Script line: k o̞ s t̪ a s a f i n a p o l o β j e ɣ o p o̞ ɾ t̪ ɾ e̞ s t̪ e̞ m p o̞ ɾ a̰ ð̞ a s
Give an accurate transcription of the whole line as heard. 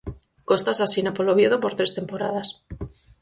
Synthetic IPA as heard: k o̞ s t̪ a s a s i n a p o l o β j e ð o p o̞ ɾ t̪ ɾ e̞ s t̪ e̞ m p o̞ ɾ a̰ ð̞ a s